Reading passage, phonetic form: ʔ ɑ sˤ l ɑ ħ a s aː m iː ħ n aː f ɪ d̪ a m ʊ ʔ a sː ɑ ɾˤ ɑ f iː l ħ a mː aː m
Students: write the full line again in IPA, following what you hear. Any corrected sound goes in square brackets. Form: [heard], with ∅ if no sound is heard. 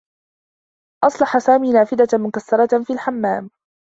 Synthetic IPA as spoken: ʔ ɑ sˤ l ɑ ħ a s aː m iː [∅] n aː f ɪ d̪ a m ʊ [k] a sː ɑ ɾˤ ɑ f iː l ħ a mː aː m